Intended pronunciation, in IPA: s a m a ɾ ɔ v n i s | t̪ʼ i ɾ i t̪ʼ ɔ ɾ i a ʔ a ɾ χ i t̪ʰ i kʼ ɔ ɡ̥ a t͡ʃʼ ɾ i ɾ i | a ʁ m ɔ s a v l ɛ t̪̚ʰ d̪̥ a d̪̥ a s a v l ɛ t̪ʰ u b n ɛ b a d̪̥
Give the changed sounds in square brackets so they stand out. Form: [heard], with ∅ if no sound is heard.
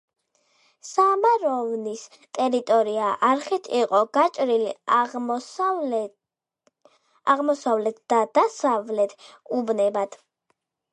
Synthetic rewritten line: s a m a ɾ ɔ v n i s | t̪ʼ [ɛ] ɾ i t̪ʼ ɔ ɾ i a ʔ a ɾ χ i t̪ʰ i [qʼ] ɔ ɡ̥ a t͡ʃʼ ɾ i [l] i | a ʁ m ɔ s a v l ɛ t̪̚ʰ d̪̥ a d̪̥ a s a v l ɛ t̪ʰ u b n ɛ b a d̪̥